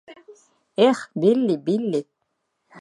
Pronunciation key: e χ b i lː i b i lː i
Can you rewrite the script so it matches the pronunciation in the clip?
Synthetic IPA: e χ b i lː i b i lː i